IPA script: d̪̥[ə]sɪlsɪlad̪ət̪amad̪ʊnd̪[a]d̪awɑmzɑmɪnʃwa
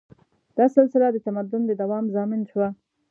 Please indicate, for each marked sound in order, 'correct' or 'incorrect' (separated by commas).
incorrect, incorrect